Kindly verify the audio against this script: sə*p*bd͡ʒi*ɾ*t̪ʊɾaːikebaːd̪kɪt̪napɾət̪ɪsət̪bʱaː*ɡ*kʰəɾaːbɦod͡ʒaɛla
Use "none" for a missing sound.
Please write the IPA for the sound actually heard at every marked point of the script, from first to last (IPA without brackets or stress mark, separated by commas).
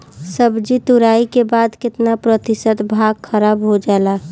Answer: none, none, ɡ